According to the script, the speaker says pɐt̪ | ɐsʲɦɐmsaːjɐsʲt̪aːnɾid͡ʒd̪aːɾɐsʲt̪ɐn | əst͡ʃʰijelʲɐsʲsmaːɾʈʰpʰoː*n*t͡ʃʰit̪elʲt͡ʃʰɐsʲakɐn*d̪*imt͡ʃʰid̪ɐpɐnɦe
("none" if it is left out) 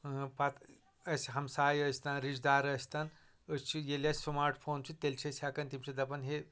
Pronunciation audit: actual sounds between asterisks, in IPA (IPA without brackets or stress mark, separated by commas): n, t̪